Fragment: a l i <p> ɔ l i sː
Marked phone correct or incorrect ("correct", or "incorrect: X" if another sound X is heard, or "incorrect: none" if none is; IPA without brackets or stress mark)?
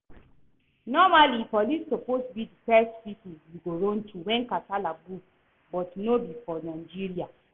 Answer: correct